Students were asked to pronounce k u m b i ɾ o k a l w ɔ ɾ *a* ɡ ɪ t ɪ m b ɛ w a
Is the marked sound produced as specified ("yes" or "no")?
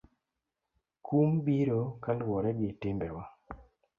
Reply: no